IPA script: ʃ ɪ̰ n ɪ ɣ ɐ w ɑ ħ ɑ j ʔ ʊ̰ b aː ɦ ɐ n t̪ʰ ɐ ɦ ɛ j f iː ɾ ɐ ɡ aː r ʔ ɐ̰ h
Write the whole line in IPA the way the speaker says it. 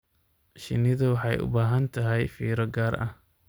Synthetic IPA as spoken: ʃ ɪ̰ n ɪ ð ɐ w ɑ ħ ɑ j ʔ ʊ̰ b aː ɦ ɐ n t̪ʰ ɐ ɦ ɛ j f iː ɾ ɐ ɡ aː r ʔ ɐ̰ h